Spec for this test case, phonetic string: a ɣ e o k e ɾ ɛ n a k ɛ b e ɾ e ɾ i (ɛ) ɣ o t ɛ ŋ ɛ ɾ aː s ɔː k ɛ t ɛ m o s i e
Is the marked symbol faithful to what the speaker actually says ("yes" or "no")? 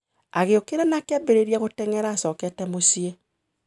no